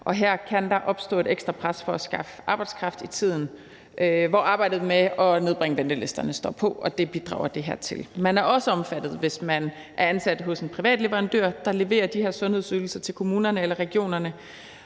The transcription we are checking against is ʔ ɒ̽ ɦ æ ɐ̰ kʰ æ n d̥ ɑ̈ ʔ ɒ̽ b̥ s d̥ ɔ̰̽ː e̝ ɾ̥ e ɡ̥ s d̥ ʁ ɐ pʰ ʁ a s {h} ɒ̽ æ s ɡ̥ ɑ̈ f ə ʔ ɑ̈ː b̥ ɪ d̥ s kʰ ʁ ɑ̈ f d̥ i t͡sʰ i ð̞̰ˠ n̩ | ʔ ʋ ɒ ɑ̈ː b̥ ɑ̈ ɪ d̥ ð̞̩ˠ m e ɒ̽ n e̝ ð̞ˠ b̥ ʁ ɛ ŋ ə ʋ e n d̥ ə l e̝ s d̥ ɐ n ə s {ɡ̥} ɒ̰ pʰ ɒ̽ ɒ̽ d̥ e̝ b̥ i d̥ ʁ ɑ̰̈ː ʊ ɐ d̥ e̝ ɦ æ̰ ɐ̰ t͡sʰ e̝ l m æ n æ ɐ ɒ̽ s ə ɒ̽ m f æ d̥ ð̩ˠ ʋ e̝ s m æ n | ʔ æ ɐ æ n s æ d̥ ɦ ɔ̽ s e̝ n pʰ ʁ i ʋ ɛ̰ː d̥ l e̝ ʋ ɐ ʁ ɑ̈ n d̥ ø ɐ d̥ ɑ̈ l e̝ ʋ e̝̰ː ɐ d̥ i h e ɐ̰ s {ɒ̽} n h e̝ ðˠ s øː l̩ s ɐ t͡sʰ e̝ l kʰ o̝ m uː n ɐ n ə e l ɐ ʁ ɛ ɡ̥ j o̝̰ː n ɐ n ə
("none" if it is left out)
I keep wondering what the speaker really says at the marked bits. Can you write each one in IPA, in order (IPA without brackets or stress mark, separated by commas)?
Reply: f, d̥, ɔ̽